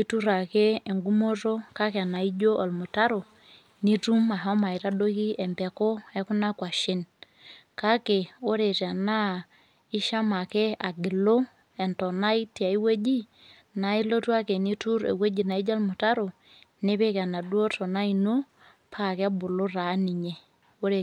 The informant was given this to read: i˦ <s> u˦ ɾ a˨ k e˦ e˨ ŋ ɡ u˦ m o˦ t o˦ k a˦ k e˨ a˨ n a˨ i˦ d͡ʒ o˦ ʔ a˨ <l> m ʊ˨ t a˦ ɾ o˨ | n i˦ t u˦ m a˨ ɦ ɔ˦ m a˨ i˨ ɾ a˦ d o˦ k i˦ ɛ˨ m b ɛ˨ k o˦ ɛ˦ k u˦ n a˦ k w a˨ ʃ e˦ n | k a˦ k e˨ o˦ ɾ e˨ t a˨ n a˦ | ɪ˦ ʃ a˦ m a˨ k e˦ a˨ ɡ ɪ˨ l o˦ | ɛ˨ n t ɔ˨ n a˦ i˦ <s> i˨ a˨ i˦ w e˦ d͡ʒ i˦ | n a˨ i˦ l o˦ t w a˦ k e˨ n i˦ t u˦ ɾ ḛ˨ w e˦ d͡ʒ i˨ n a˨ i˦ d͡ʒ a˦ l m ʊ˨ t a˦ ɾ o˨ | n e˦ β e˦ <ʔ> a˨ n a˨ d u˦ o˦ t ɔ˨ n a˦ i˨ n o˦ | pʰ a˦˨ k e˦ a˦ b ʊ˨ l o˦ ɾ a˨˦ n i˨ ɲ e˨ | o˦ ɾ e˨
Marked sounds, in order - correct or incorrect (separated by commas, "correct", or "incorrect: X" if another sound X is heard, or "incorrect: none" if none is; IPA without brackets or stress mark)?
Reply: incorrect: t, correct, incorrect: t, incorrect: k